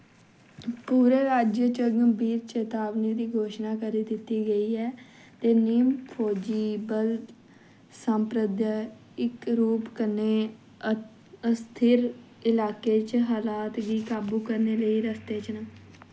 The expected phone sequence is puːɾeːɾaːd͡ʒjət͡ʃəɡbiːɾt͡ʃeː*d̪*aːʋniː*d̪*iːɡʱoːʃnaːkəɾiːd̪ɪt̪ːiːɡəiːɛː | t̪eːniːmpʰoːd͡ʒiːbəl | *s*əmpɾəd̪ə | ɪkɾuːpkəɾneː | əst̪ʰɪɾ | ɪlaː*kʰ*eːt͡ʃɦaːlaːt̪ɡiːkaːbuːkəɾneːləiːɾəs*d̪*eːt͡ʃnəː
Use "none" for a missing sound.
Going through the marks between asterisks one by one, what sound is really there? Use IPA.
t̪, d̪, s, k, t̪

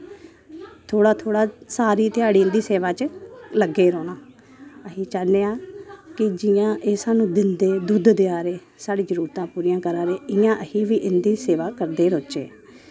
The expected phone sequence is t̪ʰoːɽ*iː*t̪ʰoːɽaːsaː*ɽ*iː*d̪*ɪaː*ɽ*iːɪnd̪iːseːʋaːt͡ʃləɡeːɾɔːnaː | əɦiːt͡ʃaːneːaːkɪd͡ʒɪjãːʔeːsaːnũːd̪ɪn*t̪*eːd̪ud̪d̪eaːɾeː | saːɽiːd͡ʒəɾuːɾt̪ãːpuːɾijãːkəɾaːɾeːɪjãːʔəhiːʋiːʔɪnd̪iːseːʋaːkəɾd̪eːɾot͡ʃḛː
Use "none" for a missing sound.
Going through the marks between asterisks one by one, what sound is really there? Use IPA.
aː, ɾ, t̪, ɽ, d̪

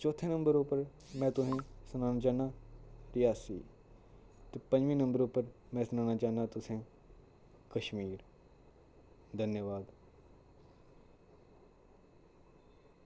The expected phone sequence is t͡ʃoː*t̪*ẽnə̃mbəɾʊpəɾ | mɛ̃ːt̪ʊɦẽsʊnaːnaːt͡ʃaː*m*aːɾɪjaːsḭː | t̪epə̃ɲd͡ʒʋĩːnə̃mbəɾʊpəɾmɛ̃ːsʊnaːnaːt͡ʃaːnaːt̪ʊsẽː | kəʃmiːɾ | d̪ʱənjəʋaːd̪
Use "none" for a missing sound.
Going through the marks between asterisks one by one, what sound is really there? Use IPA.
t̪ʰ, n

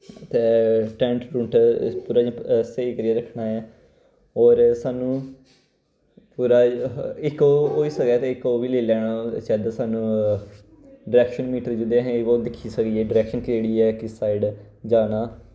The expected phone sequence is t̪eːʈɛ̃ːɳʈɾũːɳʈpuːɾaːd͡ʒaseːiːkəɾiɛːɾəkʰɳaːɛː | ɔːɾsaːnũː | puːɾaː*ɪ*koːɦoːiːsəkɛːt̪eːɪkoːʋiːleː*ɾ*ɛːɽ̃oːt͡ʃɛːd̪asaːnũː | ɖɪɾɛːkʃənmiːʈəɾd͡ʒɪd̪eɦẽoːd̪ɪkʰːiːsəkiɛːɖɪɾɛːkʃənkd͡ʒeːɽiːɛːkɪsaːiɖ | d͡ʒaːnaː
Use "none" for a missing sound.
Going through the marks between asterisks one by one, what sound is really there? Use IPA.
ɪ, l

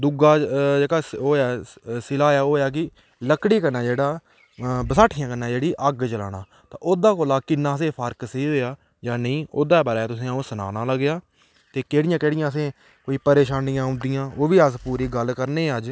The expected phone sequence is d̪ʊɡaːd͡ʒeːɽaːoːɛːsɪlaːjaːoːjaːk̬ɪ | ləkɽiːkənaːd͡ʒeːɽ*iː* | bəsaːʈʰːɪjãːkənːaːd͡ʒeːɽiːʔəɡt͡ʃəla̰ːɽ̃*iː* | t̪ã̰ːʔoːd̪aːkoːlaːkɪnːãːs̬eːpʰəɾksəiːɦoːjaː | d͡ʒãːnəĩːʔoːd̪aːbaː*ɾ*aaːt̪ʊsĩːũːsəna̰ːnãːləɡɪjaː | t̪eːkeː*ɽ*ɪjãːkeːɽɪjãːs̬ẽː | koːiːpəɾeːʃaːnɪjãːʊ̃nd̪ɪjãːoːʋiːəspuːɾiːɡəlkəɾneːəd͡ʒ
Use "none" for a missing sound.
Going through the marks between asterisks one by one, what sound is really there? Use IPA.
aː, aː, ɾ, ɽ

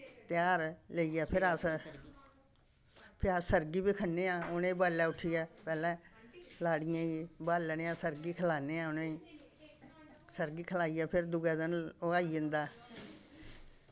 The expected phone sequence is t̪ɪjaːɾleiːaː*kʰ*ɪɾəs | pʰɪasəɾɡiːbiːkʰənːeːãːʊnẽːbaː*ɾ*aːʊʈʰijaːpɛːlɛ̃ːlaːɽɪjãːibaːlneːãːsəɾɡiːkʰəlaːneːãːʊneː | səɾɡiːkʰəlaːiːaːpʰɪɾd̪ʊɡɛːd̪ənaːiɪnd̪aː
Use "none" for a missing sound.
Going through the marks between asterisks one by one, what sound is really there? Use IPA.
pʰ, l

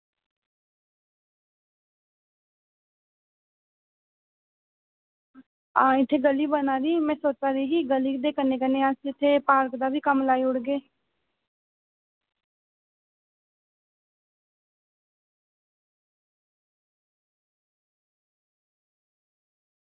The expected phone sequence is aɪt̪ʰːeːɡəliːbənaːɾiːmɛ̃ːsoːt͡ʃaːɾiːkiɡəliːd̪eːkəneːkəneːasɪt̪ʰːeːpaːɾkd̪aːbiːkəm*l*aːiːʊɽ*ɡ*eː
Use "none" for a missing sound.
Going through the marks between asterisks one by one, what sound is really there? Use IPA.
l, ɡ

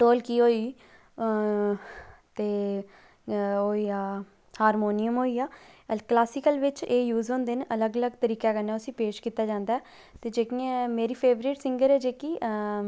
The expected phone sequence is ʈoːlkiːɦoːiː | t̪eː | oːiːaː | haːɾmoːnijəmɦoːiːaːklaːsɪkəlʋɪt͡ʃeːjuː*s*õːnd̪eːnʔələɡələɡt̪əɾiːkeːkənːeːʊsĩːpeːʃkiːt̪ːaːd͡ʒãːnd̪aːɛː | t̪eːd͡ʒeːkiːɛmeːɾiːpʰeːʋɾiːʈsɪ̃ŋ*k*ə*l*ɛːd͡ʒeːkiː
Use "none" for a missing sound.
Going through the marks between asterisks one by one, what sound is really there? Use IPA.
z, ɡ, ɾ

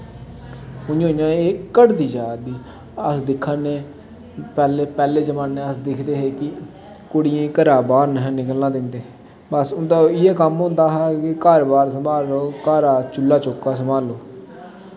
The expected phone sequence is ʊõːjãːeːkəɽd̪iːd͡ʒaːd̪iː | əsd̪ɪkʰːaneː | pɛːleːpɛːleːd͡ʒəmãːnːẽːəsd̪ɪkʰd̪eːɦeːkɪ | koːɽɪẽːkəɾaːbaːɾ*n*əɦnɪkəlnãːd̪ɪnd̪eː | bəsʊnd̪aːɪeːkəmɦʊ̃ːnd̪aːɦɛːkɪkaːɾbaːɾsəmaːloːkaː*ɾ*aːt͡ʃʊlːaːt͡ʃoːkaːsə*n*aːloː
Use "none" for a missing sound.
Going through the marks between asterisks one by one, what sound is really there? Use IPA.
n, ɾ, m

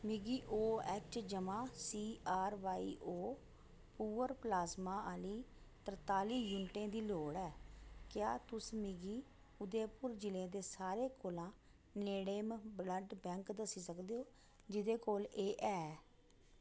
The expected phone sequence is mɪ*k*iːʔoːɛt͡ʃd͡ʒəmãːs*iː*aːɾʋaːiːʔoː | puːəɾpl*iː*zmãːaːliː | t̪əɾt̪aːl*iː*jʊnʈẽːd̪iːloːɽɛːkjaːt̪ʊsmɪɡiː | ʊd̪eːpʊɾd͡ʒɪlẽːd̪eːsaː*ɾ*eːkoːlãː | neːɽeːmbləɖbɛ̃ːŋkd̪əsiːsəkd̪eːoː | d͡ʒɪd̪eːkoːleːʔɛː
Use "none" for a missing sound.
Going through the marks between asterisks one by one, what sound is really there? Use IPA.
ɡ, iː, aː, iː, ɾ

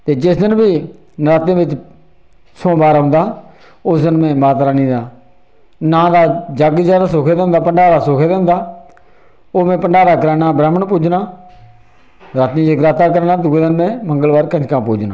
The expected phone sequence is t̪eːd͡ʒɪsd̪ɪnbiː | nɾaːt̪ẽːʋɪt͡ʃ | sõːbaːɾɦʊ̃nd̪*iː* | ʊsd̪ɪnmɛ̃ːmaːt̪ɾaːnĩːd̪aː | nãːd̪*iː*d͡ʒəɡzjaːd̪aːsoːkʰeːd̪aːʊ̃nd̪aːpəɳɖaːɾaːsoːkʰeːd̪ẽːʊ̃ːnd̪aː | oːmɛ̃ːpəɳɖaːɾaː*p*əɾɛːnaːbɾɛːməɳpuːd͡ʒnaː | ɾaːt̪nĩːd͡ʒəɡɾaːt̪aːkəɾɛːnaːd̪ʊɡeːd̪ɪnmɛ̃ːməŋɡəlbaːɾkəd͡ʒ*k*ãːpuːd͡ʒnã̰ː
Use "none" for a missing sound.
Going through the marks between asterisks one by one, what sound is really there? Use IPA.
aː, aː, k, k

